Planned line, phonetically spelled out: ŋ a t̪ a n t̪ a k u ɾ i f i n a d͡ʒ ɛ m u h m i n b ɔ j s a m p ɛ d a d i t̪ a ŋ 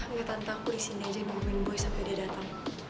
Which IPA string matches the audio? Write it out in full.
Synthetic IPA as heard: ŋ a t̪ a n t̪ a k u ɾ i s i n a d͡ʒ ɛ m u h m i n b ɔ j s a m p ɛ d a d a t̪ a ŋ